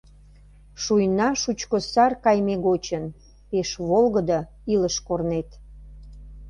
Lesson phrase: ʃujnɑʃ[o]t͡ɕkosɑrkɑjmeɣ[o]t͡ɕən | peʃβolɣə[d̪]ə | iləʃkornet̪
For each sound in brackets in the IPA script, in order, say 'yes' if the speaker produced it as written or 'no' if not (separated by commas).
no, yes, yes